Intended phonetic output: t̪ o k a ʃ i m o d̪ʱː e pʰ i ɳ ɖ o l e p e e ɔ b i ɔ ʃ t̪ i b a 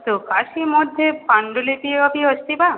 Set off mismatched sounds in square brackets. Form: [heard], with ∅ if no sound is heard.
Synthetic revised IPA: t̪ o k a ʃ i m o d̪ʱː e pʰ [a] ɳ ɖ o l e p [i] e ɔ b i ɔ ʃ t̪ i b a